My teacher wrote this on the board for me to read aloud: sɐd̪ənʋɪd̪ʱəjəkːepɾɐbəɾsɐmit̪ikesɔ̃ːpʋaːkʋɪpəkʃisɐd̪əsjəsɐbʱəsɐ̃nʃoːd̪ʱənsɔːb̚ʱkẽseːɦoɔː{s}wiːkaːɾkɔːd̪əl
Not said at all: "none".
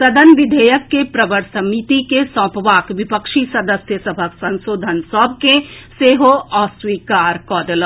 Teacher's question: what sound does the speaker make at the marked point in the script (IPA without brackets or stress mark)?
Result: s